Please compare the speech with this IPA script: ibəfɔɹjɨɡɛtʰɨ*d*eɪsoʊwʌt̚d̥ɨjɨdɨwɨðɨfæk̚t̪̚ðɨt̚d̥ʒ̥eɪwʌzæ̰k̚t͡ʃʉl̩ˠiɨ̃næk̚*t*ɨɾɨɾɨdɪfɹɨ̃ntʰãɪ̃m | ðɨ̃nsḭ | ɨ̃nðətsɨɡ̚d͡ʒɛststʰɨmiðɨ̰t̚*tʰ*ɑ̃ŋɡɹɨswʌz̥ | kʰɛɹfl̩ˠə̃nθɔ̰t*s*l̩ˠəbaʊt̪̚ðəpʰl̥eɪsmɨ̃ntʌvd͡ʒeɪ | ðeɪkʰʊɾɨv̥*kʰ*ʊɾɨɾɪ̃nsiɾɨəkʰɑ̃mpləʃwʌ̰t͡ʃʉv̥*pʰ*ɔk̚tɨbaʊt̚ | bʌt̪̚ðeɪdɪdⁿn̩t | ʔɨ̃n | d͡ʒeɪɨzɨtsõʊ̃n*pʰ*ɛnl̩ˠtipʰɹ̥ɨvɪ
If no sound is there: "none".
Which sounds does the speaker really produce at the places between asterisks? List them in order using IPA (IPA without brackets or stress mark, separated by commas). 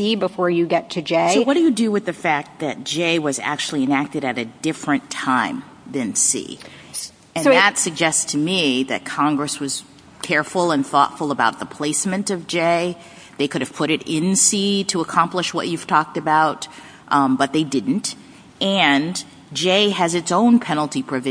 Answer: d͡ʒ, t, kʰ, f, pʰ, tʰ, pʰ